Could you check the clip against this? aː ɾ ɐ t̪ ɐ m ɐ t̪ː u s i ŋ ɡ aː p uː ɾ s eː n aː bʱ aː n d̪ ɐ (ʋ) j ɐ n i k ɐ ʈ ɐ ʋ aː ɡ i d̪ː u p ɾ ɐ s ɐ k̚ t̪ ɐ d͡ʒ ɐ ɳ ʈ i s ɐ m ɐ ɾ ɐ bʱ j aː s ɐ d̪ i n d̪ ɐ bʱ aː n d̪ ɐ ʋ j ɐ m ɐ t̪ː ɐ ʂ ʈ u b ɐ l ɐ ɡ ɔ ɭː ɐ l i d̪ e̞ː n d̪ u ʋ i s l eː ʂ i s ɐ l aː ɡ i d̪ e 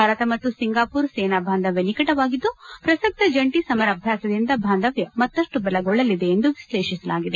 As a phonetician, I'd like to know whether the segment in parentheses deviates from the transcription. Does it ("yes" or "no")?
no